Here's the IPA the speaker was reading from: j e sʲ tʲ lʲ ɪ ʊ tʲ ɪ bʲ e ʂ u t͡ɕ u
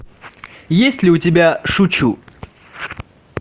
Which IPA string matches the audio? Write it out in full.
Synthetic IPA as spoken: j e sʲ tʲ lʲ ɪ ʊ tʲ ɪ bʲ a ʂ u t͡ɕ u

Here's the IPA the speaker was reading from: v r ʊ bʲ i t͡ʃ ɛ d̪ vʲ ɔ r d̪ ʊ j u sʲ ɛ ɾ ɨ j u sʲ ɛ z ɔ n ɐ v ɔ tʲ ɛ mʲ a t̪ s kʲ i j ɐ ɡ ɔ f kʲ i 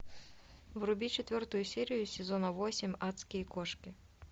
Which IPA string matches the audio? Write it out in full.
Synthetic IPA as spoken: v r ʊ bʲ i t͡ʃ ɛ t̪ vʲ ɔ r t̪ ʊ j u sʲ ɛ ɾ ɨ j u sʲ ɛ z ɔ n ɐ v ɔ sʲ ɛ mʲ a t̪ s kʲ i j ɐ k ɔ ʂ kʲ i

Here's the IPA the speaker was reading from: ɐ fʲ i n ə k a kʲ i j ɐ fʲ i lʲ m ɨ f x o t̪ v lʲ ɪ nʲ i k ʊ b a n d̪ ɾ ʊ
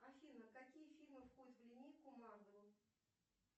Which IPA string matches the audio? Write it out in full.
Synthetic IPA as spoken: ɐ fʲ i n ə k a kʲ i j ə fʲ i lʲ m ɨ f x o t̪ v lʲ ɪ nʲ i k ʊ m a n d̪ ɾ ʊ

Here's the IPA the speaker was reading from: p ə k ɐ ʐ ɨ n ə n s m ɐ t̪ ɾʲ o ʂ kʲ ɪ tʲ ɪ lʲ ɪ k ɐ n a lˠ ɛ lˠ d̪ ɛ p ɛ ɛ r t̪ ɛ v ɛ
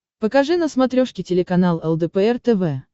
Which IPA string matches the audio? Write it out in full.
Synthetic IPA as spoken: p ə k ɐ ʐ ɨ n ə s m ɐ t̪ ɾʲ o ʂ kʲ ɪ tʲ ɪ lʲ ɪ k ɐ n a lˠ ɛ lˠ d̪ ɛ p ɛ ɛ r t̪ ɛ v ɛ

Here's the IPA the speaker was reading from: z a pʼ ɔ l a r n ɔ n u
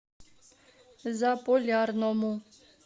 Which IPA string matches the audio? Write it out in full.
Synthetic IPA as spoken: z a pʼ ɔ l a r n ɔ m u

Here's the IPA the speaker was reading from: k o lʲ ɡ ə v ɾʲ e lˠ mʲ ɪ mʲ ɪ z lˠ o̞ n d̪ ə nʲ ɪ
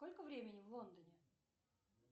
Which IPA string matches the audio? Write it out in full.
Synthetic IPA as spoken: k o lʲ k ə v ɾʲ e mʲ ɪ nʲ ɪ v lˠ o̞ n d̪ ə nʲ ɪ

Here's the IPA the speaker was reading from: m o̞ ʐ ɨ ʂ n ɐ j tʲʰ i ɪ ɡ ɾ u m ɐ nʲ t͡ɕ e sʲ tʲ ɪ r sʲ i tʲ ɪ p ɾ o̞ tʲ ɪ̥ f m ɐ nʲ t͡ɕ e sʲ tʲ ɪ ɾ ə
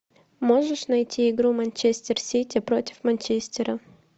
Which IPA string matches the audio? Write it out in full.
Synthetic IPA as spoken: m o̞ ʐ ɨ ʂ n ɐ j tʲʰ i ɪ ɡ ɾ u m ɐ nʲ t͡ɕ e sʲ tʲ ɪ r sʲ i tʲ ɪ p ɾ o̞ tʲ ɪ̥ f m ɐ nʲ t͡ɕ e sʲ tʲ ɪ ɾ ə

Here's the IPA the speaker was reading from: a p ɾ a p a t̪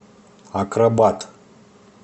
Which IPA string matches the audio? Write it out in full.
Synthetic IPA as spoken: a k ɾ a b a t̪

